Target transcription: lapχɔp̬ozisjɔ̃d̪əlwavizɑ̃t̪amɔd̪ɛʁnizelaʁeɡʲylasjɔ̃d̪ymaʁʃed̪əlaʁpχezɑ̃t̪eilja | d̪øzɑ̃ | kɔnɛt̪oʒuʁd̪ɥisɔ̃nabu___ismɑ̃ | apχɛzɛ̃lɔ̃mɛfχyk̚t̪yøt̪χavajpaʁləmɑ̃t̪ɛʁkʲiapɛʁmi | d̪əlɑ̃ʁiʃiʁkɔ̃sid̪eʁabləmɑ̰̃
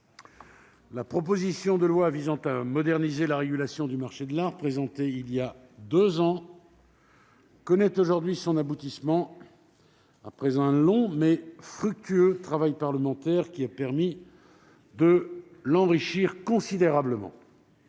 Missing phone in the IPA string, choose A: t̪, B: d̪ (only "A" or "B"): A